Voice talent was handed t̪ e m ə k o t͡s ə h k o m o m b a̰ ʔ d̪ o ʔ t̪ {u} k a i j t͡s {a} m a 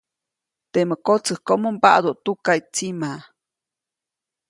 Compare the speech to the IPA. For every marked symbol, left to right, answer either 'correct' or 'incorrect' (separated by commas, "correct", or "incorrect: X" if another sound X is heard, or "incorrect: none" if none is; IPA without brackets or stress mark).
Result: correct, incorrect: i